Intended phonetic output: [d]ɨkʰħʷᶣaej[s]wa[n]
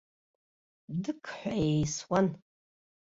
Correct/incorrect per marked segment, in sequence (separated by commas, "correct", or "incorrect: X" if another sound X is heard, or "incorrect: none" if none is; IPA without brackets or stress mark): correct, correct, correct